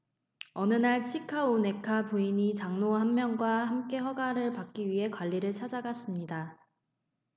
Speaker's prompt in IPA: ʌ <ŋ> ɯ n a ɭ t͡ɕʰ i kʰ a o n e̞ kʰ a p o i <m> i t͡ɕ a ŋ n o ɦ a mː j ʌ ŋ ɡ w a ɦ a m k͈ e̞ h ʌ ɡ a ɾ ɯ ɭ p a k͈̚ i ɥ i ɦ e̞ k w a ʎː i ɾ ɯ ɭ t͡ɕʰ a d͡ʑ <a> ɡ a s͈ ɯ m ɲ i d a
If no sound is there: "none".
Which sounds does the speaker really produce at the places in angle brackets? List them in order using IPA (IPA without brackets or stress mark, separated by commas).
n, ɲ, a